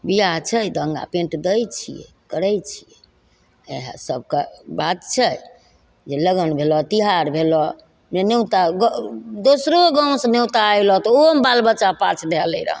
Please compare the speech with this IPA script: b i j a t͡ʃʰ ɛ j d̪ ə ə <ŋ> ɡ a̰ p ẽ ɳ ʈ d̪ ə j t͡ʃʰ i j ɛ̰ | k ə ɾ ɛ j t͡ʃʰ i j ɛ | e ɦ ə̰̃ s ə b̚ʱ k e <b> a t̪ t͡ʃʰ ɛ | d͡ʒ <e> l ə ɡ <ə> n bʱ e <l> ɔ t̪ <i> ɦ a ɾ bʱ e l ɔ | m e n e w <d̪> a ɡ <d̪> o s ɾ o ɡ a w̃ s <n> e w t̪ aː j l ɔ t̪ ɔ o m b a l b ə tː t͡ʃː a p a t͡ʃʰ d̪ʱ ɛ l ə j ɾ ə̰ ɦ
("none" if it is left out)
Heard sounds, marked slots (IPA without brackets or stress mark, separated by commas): ŋ, b, e, ə, l, i, t̪, d̪, n